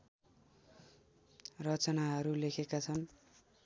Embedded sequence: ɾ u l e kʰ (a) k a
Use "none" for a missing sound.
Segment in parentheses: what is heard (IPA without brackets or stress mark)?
e